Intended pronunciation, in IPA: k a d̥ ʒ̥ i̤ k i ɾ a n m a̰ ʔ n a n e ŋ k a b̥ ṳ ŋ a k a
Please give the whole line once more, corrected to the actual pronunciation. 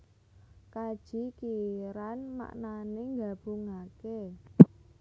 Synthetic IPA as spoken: k a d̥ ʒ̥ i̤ k i ɾ a n m a̰ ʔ n a n e ŋ ɡ a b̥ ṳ ŋ a k e